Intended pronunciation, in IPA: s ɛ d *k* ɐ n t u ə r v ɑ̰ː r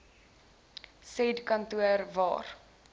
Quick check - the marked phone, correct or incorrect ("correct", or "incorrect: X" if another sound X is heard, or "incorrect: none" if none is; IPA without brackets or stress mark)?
correct